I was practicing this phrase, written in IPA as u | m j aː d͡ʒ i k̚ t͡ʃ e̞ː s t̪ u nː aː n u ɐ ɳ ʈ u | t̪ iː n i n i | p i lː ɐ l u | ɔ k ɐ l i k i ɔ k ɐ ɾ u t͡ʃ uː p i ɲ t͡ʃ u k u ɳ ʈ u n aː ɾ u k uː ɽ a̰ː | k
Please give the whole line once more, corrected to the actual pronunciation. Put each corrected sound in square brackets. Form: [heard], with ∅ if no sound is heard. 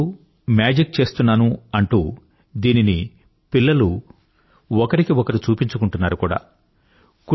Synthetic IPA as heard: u | m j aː d͡ʒ i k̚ t͡ʃ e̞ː s t̪ u nː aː n u ɐ ɳ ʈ u | [d̪] iː n i n i | p i lː ɐ l u | ɔ k ɐ [ɾ] i k i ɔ k ɐ ɾ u t͡ʃ uː p i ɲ t͡ʃ u k u ɳ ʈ u [nː] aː ɾ u k uː ɽ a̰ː | k

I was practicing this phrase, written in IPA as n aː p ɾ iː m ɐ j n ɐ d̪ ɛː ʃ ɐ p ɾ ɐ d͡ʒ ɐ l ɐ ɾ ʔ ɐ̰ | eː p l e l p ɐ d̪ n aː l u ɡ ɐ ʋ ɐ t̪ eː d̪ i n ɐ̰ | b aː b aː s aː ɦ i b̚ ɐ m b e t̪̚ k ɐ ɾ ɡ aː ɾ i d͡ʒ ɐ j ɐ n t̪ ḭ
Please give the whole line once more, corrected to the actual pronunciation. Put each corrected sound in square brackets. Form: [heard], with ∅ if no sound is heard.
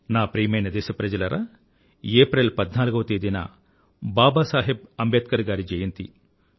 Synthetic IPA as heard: n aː p ɾ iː m ɐ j n ɐ d̪ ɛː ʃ ɐ p ɾ ɐ d͡ʒ ɐ l ɐ ɾ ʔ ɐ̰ | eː p [ɾ] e l p ɐ d̪ n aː l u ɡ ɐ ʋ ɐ t̪ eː d̪ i n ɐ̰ | b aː b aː s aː ɦ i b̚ ɐ m b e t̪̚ k ɐ ɾ ɡ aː ɾ i d͡ʒ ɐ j ɐ n t̪ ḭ

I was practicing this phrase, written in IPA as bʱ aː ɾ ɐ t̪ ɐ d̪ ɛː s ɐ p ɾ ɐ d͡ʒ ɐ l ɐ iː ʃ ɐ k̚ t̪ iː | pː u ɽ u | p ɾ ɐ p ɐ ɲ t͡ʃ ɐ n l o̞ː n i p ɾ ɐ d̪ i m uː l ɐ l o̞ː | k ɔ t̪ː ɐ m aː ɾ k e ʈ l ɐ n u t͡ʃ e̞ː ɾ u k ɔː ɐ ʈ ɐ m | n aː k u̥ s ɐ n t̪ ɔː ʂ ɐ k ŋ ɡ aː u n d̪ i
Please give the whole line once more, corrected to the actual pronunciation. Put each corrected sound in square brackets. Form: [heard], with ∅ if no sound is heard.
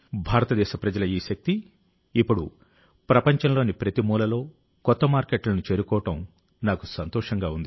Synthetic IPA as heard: bʱ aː ɾ ɐ t̪ ɐ d̪ ɛː [ʃ] ɐ p ɾ ɐ d͡ʒ ɐ l ɐ iː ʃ ɐ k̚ t̪ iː | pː u ɽ u | p ɾ ɐ p ɐ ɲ t͡ʃ ɐ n l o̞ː n i p ɾ ɐ [t̪] i m uː l ɐ l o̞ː | k ɔ t̪ː ɐ m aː ɾ k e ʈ l ɐ n u t͡ʃ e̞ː ɾ u k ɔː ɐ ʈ ɐ m | n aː k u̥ s ɐ n t̪ ɔː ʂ ɐ [∅] ŋ ɡ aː u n d̪ i

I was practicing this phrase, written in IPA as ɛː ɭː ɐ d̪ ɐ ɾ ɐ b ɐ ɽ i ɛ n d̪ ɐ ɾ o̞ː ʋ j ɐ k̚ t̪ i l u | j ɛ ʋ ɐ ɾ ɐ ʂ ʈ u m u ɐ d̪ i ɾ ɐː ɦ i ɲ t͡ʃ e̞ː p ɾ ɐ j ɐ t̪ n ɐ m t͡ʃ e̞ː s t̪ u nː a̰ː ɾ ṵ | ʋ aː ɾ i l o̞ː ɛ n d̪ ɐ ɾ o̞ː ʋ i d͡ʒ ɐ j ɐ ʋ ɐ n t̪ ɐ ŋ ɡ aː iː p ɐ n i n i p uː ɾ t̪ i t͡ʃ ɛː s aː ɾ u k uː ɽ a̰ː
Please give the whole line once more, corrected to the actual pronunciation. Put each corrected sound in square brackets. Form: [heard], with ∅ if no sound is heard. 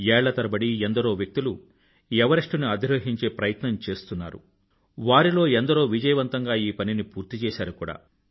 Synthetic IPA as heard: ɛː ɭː ɐ [t̪] ɐ ɾ ɐ b ɐ ɽ i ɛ n d̪ ɐ ɾ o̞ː ʋ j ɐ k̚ t̪ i l u | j ɛ ʋ ɐ ɾ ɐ ʂ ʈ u [n] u ɐ d̪ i ɾ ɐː ɦ i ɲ t͡ʃ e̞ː p ɾ ɐ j ɐ t̪ n ɐ m t͡ʃ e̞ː s t̪ u nː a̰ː ɾ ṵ | ʋ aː ɾ i l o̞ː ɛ n d̪ ɐ ɾ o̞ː ʋ i d͡ʒ ɐ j ɐ ʋ ɐ n t̪ ɐ ŋ ɡ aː iː p ɐ n i n i p uː ɾ t̪ i t͡ʃ ɛː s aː ɾ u k uː ɽ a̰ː

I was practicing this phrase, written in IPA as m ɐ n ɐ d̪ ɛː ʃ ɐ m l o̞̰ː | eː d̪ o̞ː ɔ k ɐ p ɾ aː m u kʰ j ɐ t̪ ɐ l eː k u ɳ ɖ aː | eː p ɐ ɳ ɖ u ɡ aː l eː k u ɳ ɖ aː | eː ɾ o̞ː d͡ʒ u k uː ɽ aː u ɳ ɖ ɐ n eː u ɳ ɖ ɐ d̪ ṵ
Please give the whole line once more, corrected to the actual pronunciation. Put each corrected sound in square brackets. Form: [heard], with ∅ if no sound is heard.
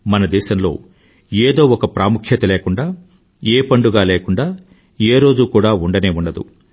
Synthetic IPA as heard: m ɐ n ɐ d̪ ɛː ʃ ɐ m l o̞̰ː | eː d̪ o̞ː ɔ k ɐ p ɾ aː m u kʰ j ɐ t̪ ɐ l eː k u ɳ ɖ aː | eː p ɐ ɳ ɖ u ɡ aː l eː k u ɳ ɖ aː | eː ɾ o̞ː d͡ʒ u k uː ɽ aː u ɳ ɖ ɐ n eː u ɳ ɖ ɐ d̪ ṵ

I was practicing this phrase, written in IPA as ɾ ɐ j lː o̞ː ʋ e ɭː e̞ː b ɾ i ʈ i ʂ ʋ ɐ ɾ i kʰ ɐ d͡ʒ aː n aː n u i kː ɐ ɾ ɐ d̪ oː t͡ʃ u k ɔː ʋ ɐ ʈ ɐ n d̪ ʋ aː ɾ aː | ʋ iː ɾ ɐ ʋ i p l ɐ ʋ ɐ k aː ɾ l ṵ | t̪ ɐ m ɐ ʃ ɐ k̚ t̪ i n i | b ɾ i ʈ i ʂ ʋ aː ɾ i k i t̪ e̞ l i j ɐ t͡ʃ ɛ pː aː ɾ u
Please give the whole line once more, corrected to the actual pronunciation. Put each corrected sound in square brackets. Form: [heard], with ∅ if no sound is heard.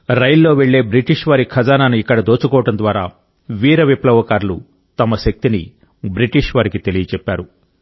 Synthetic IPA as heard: ɾ ɐ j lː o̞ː ʋ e ɭː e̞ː b ɾ i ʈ i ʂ ʋ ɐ ɾ i kʰ ɐ d͡ʒ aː n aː n u i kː ɐ [ɽ] ɐ d̪ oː t͡ʃ u k ɔː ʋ ɐ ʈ ɐ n d̪ ʋ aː ɾ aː | ʋ iː ɾ ɐ ʋ i p l ɐ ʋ ɐ k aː ɾ l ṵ | t̪ ɐ m ɐ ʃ ɐ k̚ t̪ i n i | b ɾ i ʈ i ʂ ʋ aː ɾ i k i t̪ e̞ l i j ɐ t͡ʃ ɛ pː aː ɾ u

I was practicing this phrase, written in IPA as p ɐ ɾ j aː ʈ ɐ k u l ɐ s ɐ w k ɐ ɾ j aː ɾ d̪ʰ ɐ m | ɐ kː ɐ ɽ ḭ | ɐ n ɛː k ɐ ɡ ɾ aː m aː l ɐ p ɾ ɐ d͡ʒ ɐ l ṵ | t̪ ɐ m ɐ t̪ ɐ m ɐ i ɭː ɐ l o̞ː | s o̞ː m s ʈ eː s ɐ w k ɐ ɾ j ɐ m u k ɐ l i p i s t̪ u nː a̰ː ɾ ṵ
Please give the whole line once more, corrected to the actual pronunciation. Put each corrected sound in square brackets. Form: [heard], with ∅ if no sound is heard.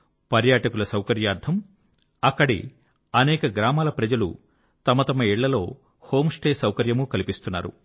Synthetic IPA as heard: p ɐ ɾ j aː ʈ ɐ k u l ɐ s ɐ w k ɐ ɾ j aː ɾ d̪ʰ ɐ m | ɐ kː ɐ ɽ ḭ | ɐ n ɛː k ɐ ɡ ɾ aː m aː l ɐ p ɾ ɐ d͡ʒ ɐ l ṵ | t̪ ɐ m ɐ t̪ ɐ m ɐ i ɭː ɐ l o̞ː | [h] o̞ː m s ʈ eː s ɐ w k ɐ ɾ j ɐ m u k ɐ l i p i s t̪ u nː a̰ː ɾ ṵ

